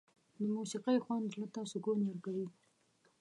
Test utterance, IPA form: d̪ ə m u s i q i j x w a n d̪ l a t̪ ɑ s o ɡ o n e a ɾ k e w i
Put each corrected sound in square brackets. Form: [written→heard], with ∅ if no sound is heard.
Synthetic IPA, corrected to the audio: d̪ ə m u s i q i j x w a n d̪ l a t̪ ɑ s o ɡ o n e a ɾ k [e→a] w i